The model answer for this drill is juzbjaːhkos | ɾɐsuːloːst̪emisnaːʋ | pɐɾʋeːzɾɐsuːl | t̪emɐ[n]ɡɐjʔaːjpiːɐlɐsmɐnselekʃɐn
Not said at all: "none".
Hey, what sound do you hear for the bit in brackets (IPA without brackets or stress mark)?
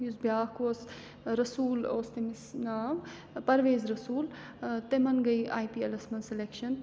n